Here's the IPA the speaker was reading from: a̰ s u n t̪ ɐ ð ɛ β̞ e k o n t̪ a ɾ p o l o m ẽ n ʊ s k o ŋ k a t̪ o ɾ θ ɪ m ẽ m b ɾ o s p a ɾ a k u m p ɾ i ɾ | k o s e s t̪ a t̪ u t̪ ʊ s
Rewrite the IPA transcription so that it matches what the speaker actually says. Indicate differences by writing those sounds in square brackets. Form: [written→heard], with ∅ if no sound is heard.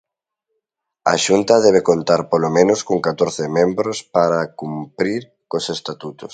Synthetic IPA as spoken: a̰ [s→ʃ] u n t̪ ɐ ð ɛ β̞ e k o n t̪ a ɾ p o l o m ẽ n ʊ s k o ŋ k a t̪ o ɾ θ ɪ m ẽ m b ɾ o s p a ɾ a k u m p ɾ i ɾ | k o s e s t̪ a t̪ u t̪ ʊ s

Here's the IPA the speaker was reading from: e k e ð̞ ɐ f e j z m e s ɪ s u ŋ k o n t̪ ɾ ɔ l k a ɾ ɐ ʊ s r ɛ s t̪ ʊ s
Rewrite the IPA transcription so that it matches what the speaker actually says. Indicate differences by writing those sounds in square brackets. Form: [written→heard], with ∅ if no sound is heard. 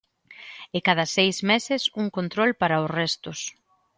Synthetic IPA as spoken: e k [e→a] ð̞ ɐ [f→s] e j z m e s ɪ s u ŋ k o n t̪ ɾ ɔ l [k→p] a ɾ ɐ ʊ s r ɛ s t̪ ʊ s

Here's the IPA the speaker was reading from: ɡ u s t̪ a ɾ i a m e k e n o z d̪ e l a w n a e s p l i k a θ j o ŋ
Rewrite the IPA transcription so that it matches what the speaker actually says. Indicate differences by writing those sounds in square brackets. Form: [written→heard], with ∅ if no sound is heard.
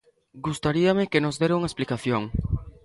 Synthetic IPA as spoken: ɡ u s t̪ a ɾ i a m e k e n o z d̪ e [l→ɾ] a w [n→ŋ] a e s p l i k a θ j o ŋ

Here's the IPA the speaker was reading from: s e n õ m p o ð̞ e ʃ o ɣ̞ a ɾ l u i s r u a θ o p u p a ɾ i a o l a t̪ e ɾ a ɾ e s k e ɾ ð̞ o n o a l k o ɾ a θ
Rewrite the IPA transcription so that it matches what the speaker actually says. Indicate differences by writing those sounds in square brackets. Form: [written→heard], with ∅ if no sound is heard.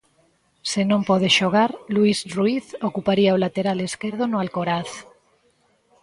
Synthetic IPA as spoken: s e n õ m p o ð̞ e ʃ o ɣ̞ a ɾ l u i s r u [a→i] θ o [p→k] u p a ɾ i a o l a t̪ e ɾ a [ɾ→l] e s k e ɾ ð̞ o n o a l k o ɾ a θ

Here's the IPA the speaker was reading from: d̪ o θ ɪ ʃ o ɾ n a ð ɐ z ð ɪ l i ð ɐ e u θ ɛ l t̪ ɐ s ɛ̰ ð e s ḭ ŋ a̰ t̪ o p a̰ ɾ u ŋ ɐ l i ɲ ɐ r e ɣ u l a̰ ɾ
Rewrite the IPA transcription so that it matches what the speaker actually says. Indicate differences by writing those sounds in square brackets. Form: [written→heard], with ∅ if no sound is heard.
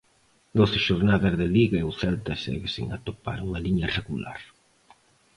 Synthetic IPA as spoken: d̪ o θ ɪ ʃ o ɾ n a ð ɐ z ð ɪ l i [ð→ɣ] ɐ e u θ ɛ l t̪ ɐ s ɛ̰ [ð→ɣ] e s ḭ ŋ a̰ t̪ o p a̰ ɾ u ŋ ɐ l i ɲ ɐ r e ɣ u l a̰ ɾ

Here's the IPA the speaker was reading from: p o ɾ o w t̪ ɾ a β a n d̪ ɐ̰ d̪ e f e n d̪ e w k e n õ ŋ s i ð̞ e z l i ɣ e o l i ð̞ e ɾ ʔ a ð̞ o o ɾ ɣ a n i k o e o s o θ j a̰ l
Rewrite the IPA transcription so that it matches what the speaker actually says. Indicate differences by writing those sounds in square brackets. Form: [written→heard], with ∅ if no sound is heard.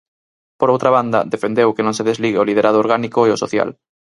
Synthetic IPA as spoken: p o ɾ o w t̪ ɾ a β a n d̪ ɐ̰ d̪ e f e n d̪ e w k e n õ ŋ s [i→e] ð̞ e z l i ɣ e o l i ð̞ e ɾ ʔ a ð̞ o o ɾ ɣ a n i k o e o s o θ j a̰ l

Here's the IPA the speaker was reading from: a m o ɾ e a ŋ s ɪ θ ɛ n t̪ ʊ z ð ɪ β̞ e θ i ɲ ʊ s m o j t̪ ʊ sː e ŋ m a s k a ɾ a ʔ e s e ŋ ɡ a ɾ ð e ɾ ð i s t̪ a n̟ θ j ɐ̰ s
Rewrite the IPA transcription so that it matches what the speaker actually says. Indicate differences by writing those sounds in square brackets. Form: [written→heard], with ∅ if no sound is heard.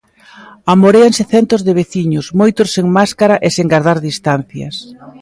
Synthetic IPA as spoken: a m o ɾ e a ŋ s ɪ θ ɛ n t̪ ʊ z ð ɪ β̞ e θ i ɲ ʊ s m o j t̪ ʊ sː e ŋ m a s k a ɾ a ʔ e s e ŋ ɡ a ɾ ð [e→a] ɾ ð i s t̪ a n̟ θ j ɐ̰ s

